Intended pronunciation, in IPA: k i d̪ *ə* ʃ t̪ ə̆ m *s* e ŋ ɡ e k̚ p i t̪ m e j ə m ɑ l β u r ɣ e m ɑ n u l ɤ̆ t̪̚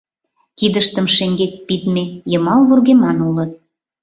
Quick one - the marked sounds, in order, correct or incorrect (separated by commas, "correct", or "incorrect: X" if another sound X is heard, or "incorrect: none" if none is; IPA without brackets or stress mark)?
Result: correct, incorrect: ʃ